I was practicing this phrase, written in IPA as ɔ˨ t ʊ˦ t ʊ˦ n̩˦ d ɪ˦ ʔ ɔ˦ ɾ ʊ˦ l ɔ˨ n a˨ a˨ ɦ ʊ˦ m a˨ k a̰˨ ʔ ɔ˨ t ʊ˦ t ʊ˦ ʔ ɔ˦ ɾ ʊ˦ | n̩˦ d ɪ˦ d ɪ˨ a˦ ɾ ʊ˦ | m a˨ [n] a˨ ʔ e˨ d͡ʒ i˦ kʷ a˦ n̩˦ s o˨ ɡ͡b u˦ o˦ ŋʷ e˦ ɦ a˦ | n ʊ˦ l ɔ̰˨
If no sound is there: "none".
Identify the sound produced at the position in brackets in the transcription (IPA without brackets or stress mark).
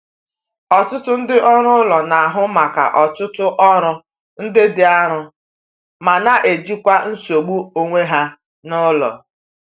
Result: n